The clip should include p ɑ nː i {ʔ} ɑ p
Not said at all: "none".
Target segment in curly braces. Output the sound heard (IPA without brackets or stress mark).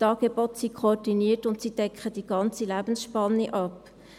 ʔ